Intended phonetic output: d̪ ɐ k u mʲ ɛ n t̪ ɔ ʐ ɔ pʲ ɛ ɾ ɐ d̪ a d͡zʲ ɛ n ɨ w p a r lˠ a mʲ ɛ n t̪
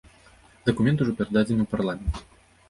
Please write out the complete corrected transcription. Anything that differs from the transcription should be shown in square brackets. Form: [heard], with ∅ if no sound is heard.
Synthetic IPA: d̪ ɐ k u mʲ ɛ n t̪ [u] ʐ ɔ pʲ ɛ ɾ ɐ d̪ a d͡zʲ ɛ n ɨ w p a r lˠ a mʲ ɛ n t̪